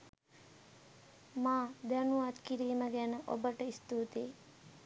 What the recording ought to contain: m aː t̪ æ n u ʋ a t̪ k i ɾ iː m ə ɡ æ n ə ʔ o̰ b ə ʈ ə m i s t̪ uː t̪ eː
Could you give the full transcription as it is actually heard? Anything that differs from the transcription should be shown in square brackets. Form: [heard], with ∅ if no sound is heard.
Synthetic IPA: m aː [d̪] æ n u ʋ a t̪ k i ɾ iː m ə ɡ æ n ə ʔ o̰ b ə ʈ ə [∅] i s t̪ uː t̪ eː